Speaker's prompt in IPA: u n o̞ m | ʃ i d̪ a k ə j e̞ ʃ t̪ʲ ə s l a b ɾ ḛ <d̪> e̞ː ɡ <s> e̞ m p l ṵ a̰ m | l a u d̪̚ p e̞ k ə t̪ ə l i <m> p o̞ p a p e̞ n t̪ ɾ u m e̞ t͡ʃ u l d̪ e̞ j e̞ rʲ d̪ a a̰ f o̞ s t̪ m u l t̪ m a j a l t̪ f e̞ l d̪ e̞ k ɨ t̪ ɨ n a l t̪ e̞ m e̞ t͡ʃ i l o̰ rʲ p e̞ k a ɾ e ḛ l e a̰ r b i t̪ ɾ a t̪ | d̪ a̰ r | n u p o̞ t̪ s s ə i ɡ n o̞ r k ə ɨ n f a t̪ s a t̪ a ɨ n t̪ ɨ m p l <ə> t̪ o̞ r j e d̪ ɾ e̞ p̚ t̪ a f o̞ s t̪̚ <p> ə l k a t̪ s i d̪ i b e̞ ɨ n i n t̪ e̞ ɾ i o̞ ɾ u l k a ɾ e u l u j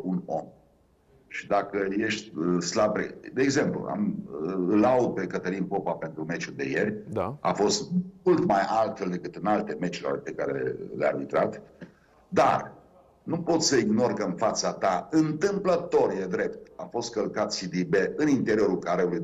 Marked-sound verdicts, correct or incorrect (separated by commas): correct, incorrect, incorrect, correct, incorrect